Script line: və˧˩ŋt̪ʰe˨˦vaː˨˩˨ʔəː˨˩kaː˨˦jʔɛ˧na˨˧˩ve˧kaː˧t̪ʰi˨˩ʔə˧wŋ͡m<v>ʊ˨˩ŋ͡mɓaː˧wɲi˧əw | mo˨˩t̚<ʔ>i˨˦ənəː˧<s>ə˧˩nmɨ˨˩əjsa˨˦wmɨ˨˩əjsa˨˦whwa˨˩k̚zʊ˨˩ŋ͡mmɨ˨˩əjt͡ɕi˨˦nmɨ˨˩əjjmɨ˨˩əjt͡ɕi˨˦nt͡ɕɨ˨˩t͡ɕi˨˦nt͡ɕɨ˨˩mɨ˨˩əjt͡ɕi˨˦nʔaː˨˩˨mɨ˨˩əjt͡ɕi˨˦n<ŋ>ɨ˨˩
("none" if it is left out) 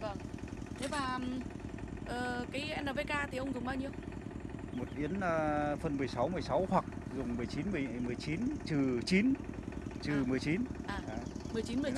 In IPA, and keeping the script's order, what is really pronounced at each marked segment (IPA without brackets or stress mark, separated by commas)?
z, ʔ, f, m